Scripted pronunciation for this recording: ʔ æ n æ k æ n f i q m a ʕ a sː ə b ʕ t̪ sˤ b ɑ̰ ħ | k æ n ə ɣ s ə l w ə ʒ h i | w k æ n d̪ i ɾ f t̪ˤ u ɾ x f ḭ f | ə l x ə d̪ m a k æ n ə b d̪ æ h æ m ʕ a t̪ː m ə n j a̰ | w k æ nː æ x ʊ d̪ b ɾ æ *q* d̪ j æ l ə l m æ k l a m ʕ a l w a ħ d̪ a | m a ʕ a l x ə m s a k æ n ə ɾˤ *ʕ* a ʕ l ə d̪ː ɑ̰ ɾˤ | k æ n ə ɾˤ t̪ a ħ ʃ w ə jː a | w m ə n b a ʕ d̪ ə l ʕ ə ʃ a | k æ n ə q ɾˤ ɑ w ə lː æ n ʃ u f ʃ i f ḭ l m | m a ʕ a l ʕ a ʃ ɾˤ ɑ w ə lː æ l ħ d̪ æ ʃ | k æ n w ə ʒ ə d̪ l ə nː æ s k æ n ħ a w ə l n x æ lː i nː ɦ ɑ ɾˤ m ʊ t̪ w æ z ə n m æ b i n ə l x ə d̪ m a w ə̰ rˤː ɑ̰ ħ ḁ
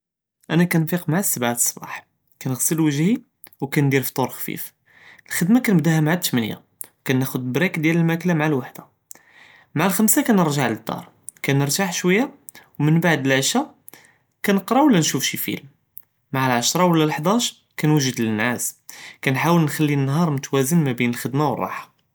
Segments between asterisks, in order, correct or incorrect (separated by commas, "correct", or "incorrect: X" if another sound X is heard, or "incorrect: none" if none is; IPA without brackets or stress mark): incorrect: k, incorrect: ʒ